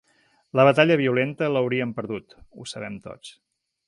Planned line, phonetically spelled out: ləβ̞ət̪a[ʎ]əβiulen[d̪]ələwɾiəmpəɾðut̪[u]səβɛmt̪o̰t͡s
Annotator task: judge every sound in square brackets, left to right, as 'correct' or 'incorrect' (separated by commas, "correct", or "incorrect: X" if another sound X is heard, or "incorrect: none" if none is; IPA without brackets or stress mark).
correct, incorrect: t̪, correct